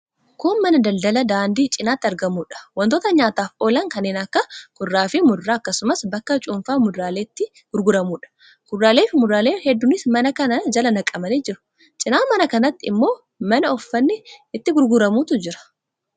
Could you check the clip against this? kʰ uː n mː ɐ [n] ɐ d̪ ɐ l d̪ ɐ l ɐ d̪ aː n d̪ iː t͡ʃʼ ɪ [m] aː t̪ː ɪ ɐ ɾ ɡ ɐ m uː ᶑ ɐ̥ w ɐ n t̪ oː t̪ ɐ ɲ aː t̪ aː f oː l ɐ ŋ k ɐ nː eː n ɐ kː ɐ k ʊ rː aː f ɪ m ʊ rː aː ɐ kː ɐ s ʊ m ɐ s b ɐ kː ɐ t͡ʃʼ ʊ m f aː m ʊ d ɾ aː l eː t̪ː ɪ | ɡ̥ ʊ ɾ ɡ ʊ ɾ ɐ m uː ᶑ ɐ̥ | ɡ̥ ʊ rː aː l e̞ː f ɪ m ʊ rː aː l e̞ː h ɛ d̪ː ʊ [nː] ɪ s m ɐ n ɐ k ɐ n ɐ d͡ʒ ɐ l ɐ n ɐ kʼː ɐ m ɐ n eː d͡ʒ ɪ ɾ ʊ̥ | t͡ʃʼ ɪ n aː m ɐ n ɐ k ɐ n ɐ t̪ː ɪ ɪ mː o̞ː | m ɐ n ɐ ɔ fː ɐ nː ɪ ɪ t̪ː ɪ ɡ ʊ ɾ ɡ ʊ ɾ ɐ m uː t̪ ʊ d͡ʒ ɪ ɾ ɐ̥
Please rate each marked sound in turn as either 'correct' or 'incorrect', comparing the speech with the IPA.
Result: correct, incorrect, incorrect

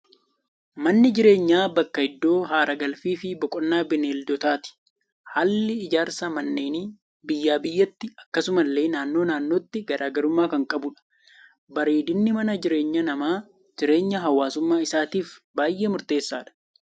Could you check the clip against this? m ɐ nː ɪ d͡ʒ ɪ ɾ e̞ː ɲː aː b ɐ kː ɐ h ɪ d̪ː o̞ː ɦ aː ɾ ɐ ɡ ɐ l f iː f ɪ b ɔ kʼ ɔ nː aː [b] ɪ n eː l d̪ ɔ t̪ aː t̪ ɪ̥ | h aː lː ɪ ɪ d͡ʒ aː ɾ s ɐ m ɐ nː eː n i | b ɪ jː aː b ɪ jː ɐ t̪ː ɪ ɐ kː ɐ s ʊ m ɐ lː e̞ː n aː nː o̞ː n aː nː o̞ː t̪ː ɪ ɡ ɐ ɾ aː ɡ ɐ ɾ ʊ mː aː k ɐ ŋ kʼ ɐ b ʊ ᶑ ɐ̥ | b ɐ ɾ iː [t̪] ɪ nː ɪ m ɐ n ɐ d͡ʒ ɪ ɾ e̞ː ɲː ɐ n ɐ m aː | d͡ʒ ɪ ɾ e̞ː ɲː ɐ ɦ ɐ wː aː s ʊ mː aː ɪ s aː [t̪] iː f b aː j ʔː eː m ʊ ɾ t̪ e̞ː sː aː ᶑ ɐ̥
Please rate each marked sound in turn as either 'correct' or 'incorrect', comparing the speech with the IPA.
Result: correct, incorrect, correct

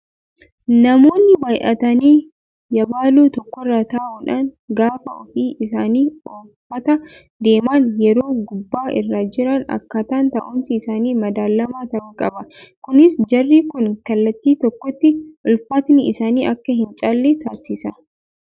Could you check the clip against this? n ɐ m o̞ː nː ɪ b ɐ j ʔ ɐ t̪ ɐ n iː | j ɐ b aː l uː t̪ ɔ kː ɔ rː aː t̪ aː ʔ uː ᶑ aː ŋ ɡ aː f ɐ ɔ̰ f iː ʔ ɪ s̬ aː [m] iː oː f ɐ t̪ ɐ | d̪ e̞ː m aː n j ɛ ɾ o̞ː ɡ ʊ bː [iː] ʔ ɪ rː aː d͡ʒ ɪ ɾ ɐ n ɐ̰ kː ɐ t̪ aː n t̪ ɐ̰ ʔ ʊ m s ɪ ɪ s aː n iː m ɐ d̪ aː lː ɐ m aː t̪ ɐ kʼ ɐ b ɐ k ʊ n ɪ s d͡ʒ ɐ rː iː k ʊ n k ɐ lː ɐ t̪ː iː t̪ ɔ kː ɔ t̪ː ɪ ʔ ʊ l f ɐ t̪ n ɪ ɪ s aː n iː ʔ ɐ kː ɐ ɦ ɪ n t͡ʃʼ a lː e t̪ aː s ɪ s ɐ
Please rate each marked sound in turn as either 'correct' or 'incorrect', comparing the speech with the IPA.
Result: incorrect, incorrect

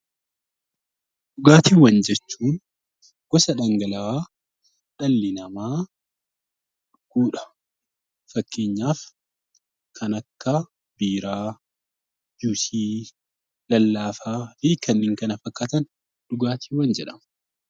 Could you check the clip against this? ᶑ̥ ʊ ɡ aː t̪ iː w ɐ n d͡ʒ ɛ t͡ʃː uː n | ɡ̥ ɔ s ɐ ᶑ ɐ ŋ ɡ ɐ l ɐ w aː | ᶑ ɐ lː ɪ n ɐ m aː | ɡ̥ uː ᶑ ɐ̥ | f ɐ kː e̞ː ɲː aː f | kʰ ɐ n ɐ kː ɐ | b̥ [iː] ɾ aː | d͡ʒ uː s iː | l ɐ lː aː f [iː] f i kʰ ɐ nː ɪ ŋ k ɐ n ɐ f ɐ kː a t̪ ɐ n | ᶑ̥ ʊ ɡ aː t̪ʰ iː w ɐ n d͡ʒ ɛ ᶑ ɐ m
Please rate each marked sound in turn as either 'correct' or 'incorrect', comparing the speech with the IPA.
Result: correct, incorrect

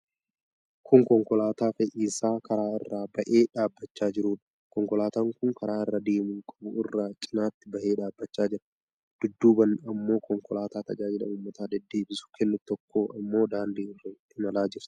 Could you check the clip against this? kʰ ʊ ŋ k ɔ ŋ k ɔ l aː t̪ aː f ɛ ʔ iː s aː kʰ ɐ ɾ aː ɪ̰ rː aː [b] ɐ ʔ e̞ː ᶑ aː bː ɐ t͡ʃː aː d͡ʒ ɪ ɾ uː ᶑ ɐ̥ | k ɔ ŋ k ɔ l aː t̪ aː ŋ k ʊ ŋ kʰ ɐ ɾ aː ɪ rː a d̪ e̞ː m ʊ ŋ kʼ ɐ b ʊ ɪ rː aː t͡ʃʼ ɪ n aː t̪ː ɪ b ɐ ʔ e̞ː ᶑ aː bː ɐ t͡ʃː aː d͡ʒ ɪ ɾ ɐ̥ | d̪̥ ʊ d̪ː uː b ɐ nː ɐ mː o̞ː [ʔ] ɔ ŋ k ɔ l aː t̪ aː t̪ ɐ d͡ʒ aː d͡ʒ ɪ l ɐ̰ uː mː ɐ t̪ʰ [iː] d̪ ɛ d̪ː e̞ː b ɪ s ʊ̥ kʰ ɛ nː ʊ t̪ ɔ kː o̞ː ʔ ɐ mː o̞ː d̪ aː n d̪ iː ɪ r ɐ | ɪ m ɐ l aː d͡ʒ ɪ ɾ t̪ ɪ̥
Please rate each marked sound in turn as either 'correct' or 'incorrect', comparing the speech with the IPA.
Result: correct, incorrect, incorrect

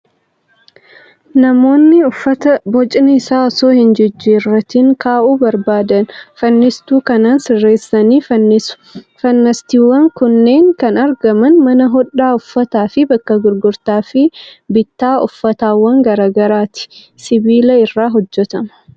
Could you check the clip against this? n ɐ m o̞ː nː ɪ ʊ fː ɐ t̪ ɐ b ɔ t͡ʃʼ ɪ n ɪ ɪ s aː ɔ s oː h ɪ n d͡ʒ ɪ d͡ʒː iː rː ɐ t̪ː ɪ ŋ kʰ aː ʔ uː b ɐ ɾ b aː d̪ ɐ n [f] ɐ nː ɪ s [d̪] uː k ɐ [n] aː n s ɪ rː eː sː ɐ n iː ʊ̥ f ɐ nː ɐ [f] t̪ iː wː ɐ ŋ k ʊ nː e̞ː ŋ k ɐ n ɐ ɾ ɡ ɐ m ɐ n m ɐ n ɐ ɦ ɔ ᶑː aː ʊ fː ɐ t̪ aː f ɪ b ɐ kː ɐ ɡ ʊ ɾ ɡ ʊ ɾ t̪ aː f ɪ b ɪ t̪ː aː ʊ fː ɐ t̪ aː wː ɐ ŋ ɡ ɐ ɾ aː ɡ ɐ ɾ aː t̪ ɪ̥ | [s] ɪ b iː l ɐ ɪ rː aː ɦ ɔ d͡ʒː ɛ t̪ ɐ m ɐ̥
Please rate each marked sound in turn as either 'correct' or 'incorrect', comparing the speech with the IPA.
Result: correct, incorrect, correct, incorrect, correct

